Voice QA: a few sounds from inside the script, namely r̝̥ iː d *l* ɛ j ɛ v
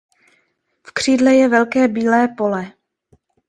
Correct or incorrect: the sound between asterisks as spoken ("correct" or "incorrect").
correct